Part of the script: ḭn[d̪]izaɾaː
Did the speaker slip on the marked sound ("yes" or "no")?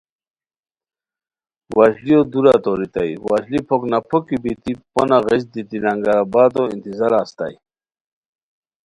yes